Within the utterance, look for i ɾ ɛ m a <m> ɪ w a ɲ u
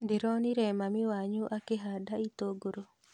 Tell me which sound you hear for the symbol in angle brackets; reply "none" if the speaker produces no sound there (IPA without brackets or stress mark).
m